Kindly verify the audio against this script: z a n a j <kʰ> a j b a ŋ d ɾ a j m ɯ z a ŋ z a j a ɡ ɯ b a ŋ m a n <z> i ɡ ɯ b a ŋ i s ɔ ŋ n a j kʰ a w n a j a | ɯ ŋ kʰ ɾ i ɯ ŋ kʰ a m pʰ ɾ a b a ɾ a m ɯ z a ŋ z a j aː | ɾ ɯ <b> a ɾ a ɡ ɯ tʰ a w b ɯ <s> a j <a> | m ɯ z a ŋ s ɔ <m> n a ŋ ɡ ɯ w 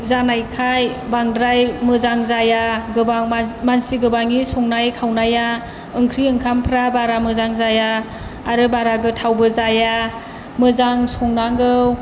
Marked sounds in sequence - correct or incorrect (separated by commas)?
correct, incorrect, correct, incorrect, correct, incorrect